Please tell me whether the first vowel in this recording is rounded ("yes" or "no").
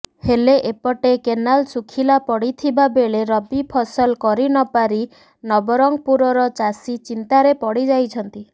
no